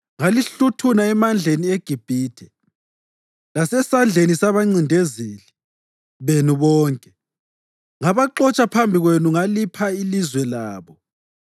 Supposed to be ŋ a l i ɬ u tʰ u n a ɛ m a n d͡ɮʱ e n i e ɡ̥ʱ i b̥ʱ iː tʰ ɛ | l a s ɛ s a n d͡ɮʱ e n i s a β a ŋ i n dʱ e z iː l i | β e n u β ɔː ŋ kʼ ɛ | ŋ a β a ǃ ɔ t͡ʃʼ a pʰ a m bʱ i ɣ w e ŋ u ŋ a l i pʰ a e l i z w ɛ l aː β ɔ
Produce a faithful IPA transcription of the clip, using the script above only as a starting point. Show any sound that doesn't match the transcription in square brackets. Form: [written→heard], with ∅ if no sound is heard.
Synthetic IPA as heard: ŋ a l i ɬ u tʰ u n a ɛ m a n d͡ɮʱ e n i e ɡ̥ʱ i b̥ʱ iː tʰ ɛ | l a s ɛ s a n d͡ɮʱ e n i s a β a [ŋ→ŋ͡ǀ] i n dʱ e z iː l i | β e n u β ɔː ŋ kʼ ɛ | ŋ a β a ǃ ɔ t͡ʃʼ a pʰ a m bʱ i ɣ w e [ŋ→n] u ŋ a l i pʰ a [e→i] l i z w ɛ l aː β ɔ